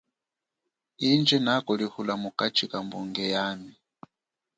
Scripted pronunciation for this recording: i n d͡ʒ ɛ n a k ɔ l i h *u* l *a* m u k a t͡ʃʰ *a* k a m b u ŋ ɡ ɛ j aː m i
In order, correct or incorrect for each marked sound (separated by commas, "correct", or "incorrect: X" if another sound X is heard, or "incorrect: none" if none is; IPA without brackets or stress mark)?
correct, correct, incorrect: i